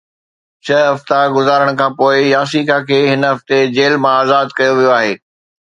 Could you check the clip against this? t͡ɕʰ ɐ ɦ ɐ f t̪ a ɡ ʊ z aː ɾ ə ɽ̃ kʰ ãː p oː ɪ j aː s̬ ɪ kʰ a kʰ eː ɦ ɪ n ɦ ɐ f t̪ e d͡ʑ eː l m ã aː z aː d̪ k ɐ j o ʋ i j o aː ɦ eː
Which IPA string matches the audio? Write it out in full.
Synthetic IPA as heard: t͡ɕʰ ɐ ɦ ɐ f t̪ a ɡ ʊ z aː ɾ ə ɽ̃ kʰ ãː p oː ɪ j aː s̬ i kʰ a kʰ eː ɦ ɪ n ɦ ɐ f t̪ e d͡ʑ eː l m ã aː z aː d̪ k ɐ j o ʋ i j o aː ɦ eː